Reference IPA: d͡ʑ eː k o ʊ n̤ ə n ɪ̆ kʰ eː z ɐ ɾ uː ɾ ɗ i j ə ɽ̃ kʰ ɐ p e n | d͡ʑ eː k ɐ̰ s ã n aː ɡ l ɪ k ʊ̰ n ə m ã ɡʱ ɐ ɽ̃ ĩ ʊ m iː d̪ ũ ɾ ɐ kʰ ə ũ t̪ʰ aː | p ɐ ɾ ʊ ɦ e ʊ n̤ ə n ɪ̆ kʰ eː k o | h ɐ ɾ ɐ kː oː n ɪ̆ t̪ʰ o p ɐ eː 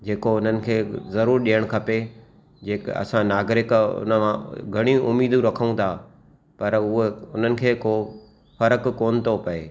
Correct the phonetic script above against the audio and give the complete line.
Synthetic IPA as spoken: d͡ʑ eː k o ʊ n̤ ə n ɪ̆ kʰ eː z ɐ ɾ uː ɾ ɗ i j ə ɽ̃ kʰ ɐ p e | d͡ʑ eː k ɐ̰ s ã n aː ɡ ɾ ɪ k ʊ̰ n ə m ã ɡʱ ɐ ɽ̃ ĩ ʊ m iː d̪ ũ ɾ ɐ kʰ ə ũ t̪ʰ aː | p ɐ ɾ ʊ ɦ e ʊ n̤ ə n ɪ̆ kʰ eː k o | f ɐ ɾ ə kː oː n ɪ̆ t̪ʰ o p ɐ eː